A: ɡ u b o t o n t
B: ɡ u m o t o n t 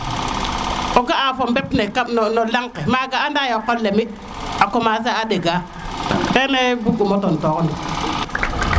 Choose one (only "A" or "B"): B